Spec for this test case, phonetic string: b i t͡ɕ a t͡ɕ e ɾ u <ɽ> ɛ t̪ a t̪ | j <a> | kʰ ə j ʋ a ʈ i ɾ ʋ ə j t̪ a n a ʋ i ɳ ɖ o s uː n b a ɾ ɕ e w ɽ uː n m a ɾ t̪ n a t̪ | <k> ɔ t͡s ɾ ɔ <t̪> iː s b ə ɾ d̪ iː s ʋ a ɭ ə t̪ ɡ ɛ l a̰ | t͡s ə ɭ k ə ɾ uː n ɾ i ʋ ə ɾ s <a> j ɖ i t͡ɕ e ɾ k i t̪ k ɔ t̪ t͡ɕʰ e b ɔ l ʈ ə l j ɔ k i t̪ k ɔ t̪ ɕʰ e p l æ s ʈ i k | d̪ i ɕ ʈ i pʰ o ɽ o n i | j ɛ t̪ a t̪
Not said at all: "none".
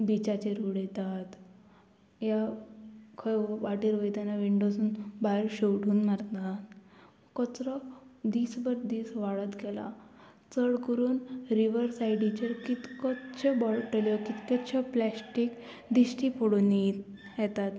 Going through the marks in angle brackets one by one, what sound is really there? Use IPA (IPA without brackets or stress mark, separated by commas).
ɽ, a, k, d̪, a